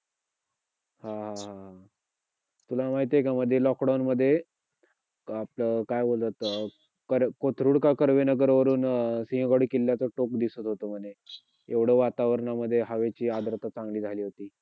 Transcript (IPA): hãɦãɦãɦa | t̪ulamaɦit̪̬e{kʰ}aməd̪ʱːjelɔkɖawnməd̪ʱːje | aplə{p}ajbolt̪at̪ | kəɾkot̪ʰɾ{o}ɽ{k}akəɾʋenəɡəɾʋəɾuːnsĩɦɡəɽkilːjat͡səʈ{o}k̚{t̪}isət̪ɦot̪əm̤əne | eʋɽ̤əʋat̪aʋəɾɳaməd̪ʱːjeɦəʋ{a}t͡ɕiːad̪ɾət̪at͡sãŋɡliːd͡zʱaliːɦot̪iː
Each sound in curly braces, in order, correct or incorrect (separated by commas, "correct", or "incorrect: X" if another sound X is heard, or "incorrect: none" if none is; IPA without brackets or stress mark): incorrect: k, incorrect: k, incorrect: u, correct, correct, incorrect: d̪, incorrect: e